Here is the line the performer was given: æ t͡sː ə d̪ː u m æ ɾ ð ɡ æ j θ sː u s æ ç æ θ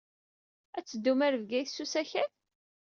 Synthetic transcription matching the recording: æ t͡sː ə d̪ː u m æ ɾ v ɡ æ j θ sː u s æ ç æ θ